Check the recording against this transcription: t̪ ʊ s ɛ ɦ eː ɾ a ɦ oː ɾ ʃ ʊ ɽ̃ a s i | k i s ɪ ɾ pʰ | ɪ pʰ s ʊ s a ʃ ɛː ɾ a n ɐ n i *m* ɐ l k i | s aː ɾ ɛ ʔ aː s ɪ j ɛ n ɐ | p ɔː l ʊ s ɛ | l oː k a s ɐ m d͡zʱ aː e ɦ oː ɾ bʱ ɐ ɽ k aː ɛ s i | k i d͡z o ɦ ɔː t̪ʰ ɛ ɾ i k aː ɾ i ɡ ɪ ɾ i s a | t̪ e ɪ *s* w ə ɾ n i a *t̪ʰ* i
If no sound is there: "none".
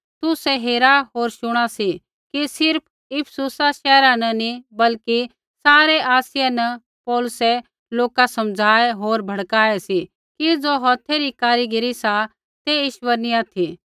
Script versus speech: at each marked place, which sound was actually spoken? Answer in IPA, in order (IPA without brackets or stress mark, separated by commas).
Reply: b, ʃ, t̪ʰ